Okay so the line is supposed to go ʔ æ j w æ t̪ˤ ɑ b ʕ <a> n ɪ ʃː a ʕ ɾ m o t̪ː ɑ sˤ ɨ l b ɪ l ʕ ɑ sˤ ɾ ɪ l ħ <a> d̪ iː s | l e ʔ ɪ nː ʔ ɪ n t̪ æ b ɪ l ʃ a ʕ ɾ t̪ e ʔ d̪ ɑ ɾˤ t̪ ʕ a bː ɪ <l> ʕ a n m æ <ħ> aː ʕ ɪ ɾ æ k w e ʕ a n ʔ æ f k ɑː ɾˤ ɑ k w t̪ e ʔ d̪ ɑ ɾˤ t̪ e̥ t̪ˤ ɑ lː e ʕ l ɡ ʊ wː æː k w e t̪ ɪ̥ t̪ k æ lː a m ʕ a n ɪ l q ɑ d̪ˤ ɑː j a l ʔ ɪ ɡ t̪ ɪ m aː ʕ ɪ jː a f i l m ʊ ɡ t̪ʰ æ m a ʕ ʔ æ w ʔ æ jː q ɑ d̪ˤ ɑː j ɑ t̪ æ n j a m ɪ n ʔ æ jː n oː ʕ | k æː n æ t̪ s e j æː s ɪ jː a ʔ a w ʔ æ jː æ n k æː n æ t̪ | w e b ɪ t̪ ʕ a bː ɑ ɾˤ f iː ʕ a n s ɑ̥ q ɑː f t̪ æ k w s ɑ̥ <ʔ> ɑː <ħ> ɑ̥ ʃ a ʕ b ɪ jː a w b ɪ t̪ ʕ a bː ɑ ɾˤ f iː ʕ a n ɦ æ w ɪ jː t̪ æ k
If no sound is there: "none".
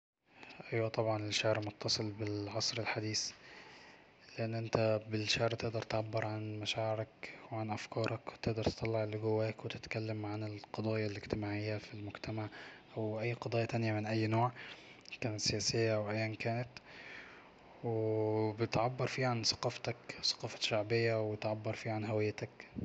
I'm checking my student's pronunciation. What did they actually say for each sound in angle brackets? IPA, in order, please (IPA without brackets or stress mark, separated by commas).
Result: ɑ, a, ɾ, ʃ, q, f